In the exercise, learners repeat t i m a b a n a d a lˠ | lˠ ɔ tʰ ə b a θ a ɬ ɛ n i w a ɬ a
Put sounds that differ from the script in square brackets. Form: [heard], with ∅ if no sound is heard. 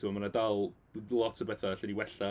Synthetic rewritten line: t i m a [m] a n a d a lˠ | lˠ ɔ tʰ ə b [ɛ] θ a ɬ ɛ n i w [ɛ] ɬ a